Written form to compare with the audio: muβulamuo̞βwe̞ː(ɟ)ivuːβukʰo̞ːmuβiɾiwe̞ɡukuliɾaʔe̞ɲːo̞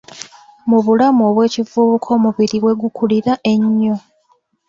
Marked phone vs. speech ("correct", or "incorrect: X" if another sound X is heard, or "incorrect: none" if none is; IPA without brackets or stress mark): incorrect: c